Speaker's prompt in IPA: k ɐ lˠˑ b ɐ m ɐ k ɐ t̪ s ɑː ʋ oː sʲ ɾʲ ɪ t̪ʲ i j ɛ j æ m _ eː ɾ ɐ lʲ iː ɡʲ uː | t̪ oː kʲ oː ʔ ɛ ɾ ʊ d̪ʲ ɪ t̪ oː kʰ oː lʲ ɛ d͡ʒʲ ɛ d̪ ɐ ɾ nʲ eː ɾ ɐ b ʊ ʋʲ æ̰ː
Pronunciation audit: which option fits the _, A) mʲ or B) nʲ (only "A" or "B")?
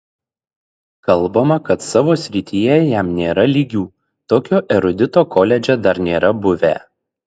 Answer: B